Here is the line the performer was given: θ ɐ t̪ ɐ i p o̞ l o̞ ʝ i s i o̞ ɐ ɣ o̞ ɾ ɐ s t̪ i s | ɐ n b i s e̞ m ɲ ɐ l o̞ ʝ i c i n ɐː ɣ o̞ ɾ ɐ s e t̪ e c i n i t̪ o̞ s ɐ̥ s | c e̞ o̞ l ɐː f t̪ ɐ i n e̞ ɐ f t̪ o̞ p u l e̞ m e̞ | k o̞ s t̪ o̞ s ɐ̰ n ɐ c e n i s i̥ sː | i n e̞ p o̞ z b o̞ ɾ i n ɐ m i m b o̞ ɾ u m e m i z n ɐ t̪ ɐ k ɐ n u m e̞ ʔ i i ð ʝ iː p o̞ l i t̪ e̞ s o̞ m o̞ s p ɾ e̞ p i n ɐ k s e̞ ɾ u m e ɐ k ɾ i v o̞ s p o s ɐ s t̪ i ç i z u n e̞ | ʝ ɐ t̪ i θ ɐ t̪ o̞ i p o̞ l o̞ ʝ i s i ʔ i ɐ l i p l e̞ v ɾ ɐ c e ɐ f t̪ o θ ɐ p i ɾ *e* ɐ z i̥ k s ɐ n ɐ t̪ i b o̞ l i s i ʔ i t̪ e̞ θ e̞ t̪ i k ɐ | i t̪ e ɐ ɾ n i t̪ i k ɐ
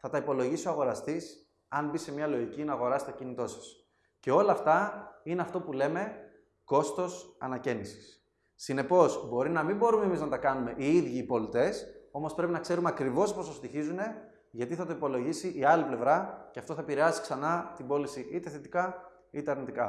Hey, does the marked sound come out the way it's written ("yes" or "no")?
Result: yes